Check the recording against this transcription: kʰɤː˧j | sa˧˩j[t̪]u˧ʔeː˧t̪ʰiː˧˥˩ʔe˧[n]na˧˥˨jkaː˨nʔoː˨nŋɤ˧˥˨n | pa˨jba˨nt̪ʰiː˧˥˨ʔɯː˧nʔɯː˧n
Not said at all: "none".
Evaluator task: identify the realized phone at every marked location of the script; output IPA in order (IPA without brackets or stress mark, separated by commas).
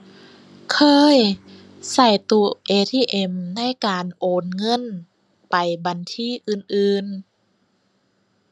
t̪, m